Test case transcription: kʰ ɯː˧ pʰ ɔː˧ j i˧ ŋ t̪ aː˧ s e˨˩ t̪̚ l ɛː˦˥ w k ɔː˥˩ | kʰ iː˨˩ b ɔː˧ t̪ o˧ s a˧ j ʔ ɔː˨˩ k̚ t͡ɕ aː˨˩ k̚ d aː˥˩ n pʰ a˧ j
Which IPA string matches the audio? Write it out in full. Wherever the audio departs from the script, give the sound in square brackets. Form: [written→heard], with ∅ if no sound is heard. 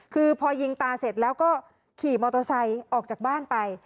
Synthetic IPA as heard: kʰ ɯː˧ pʰ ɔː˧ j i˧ ŋ t̪ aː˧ s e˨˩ t̪̚ l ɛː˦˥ w k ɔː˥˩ | kʰ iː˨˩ [b→m] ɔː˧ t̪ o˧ s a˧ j ʔ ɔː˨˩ k̚ t͡ɕ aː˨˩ k̚ [d→b] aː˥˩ n [pʰ→p] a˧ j